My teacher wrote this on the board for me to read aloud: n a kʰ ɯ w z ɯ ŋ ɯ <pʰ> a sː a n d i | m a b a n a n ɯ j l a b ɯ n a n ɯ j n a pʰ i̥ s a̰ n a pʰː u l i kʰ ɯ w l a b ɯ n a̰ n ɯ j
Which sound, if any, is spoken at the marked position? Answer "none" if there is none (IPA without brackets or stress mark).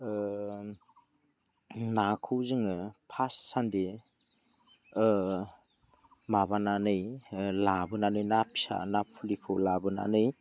pʰ